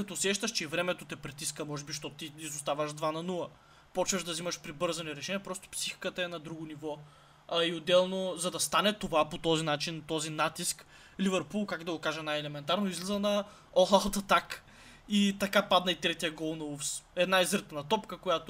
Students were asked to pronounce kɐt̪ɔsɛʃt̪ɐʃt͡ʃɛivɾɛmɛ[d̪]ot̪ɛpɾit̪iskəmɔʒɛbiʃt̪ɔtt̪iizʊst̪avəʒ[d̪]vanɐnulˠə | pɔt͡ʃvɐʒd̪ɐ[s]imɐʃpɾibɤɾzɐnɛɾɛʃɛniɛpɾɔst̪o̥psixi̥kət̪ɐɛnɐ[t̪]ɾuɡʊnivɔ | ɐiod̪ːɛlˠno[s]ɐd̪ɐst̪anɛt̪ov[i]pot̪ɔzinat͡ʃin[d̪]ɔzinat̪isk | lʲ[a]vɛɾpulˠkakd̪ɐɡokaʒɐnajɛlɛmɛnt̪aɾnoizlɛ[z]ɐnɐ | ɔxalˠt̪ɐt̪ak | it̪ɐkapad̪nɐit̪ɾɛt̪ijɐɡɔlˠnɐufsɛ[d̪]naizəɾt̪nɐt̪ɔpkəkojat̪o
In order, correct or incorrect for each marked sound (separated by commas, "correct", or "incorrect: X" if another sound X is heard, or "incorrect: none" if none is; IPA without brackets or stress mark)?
incorrect: t̪, correct, incorrect: z, incorrect: d̪, incorrect: z, incorrect: a, incorrect: t̪, incorrect: i, correct, correct